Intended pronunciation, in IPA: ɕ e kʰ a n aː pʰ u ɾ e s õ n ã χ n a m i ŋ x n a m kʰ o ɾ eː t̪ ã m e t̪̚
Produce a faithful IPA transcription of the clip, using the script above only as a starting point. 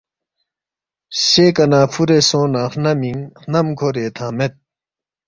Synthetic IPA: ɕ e k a n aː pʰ u ɾ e s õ n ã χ n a m i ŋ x n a m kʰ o ɾ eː t̪ʰ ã m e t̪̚